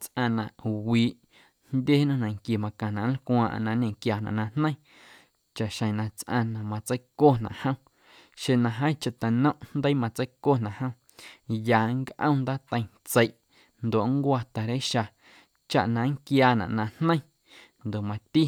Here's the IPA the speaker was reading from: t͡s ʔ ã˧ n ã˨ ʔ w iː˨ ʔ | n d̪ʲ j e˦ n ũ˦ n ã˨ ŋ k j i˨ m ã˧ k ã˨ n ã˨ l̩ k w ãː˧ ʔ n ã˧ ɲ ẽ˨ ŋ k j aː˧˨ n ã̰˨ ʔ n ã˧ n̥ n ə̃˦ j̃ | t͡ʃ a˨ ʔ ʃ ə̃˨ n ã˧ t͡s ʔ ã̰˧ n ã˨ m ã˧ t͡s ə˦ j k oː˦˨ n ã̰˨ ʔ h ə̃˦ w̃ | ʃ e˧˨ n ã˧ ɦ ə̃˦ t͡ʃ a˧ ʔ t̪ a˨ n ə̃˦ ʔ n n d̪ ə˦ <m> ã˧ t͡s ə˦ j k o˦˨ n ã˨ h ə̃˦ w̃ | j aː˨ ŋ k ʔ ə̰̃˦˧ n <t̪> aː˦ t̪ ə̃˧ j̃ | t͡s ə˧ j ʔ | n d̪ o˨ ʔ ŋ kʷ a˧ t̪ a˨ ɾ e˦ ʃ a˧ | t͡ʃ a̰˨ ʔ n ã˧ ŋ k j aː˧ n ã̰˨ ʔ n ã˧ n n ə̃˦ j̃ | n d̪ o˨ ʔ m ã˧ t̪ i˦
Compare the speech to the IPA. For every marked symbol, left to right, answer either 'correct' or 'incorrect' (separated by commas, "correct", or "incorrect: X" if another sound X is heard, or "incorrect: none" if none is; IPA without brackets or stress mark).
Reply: correct, incorrect: d̪